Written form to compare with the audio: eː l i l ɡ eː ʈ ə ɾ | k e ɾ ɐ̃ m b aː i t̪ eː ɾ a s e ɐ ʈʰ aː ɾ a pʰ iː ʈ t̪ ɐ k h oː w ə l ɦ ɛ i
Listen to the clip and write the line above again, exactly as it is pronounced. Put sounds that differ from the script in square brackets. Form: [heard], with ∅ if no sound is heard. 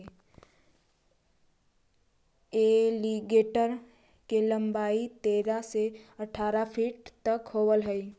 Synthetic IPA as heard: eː l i [∅] ɡ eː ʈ ə ɾ | k e [l] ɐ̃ m b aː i t̪ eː ɾ a s e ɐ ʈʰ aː ɾ a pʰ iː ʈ t̪ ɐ k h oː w ə l ɦ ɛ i